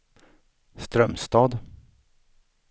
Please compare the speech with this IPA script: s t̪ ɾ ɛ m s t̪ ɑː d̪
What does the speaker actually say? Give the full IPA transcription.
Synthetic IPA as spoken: s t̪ ɾ œ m s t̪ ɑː d̪